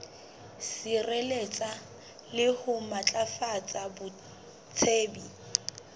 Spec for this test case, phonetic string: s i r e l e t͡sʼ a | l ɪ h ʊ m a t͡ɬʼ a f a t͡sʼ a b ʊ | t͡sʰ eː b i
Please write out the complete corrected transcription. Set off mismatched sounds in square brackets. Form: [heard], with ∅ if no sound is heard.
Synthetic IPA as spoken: s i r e l e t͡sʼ a | l ɪ h ʊ m a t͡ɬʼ a f a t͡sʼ a b ʊ | t͡sʰ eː b i

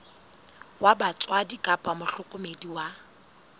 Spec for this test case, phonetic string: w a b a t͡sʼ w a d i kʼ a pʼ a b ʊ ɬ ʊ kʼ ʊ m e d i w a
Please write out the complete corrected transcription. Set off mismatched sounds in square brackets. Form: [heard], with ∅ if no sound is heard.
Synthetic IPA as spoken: w a b a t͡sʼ w a d i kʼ a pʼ a [m] ʊ ɬ ʊ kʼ ʊ m e d i w a

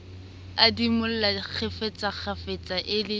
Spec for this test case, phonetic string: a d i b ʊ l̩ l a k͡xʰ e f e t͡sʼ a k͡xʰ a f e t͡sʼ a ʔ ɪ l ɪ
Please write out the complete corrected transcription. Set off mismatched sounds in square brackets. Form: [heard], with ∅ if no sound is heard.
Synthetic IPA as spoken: a d i [m] ʊ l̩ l a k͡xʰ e f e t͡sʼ a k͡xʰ a f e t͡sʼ a ʔ ɪ l ɪ

